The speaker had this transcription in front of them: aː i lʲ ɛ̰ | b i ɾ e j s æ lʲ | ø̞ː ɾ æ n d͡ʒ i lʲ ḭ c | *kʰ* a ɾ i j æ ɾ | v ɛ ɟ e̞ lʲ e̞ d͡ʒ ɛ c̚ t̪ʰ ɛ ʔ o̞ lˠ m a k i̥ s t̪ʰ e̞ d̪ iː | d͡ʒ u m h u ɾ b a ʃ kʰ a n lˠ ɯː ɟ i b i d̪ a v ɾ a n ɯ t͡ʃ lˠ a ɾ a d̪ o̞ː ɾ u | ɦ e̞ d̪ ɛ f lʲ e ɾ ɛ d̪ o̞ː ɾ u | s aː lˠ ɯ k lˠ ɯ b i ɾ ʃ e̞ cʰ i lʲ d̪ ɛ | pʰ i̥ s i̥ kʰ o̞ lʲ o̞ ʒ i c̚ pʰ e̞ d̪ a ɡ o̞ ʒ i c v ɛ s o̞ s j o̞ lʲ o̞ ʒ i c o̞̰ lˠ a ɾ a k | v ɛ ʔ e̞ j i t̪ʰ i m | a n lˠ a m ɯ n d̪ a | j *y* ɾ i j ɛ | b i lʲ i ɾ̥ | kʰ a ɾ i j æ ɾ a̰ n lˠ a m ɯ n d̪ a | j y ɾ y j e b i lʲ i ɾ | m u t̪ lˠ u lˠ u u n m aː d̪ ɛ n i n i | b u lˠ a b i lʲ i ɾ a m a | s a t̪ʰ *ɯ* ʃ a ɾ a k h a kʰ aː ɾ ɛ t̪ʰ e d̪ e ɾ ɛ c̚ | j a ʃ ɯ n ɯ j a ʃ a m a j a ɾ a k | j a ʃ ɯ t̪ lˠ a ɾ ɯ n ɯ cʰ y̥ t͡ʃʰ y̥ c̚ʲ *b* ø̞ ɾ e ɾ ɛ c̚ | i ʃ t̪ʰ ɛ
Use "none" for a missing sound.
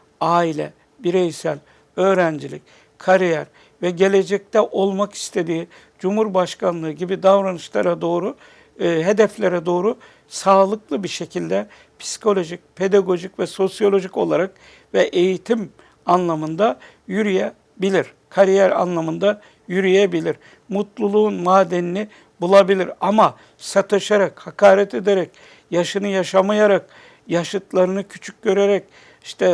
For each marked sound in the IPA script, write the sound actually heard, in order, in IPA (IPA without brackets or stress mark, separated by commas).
kʰ, y, ɯ, ɟ